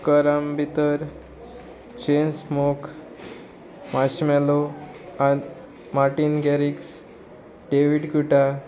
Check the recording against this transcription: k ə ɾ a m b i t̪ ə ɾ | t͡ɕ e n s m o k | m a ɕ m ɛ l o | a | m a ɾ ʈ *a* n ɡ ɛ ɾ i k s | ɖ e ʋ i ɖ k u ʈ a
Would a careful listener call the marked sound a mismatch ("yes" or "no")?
yes